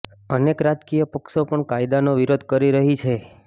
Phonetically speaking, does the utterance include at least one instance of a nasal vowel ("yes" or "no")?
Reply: no